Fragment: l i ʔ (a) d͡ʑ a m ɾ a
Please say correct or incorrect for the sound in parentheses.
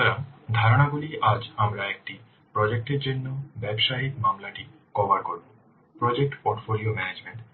correct